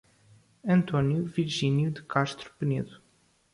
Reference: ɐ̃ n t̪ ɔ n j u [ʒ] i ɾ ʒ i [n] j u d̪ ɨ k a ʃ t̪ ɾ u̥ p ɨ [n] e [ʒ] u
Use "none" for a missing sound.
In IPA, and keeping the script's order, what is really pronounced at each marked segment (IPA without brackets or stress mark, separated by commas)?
v, n, n, ð